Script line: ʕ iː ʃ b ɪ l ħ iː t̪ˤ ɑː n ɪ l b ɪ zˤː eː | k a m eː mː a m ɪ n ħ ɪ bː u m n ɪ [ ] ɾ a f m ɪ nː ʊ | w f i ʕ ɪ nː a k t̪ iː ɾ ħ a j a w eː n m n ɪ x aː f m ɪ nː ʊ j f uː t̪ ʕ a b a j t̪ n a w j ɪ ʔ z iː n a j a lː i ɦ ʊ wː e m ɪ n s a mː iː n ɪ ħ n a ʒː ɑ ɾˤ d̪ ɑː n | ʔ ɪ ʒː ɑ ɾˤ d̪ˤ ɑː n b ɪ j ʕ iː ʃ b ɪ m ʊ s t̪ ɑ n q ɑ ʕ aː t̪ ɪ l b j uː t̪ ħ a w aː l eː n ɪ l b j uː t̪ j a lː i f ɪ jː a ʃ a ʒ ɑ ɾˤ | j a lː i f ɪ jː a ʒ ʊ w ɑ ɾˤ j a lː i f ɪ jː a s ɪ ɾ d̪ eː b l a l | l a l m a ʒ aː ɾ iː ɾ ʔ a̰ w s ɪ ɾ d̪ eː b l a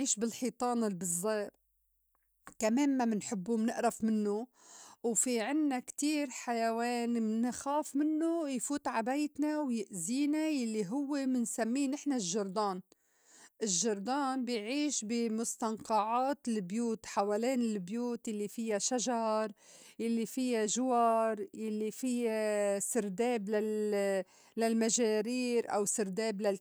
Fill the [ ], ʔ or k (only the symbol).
ʔ